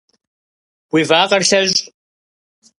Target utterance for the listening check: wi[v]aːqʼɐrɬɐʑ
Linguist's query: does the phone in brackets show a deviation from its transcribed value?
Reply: no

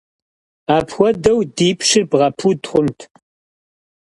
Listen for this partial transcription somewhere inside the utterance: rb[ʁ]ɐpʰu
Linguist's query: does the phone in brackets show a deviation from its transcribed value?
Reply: no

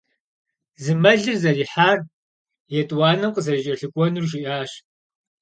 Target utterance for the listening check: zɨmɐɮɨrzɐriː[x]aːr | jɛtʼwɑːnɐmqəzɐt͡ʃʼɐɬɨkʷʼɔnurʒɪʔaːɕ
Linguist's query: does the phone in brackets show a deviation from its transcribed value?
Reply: yes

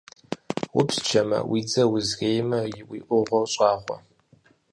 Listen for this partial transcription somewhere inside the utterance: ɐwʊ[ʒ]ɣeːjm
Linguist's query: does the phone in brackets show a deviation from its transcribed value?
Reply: yes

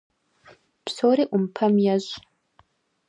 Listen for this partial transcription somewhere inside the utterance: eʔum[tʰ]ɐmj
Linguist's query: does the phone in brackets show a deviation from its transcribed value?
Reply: yes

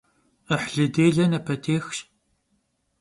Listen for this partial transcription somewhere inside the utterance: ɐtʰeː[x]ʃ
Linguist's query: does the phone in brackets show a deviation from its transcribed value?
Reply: no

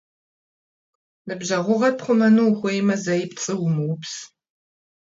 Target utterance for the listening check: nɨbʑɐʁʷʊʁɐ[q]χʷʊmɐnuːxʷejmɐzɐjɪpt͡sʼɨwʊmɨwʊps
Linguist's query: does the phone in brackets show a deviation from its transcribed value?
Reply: yes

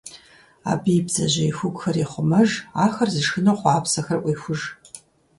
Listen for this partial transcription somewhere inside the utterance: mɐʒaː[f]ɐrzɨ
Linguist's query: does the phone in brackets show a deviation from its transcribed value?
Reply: yes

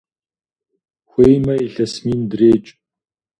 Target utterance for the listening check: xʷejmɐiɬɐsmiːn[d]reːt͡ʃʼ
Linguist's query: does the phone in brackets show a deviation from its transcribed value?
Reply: no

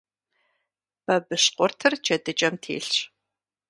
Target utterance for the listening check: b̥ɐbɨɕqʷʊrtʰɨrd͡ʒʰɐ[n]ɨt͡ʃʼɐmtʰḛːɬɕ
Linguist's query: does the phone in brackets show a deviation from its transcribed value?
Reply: yes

